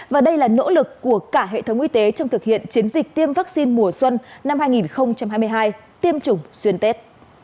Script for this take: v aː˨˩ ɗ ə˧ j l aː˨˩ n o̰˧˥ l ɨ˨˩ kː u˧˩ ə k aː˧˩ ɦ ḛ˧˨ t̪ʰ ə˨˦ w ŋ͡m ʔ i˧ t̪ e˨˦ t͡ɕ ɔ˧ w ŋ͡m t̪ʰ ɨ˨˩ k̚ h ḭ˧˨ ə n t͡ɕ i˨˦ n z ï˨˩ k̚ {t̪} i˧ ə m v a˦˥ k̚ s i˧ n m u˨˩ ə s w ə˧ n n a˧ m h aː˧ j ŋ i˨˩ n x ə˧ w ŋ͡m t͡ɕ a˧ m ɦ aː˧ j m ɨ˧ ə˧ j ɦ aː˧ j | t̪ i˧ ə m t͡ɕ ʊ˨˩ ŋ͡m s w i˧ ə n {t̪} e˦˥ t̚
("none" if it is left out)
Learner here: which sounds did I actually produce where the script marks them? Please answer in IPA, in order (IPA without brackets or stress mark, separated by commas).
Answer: t̪, t̪